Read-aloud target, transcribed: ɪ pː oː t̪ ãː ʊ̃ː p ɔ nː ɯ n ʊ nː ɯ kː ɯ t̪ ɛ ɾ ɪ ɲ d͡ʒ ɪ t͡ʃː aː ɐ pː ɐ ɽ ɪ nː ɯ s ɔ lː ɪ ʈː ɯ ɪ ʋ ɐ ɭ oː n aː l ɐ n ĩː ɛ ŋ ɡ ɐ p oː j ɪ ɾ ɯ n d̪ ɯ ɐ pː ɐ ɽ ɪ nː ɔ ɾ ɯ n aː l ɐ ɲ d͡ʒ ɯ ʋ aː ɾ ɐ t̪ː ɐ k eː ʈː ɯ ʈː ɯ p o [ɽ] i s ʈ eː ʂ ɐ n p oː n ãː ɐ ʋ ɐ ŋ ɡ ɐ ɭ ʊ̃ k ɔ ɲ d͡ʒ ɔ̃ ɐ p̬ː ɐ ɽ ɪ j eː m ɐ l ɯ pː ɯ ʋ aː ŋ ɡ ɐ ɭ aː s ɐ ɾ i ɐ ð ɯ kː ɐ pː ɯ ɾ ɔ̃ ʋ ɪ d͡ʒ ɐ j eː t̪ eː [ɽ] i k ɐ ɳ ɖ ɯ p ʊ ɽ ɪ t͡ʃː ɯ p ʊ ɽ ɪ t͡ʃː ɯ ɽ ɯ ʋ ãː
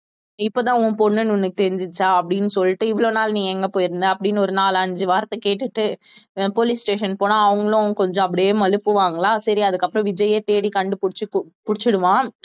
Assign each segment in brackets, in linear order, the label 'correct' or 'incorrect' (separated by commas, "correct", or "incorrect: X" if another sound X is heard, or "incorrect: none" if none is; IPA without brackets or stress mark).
incorrect: l, correct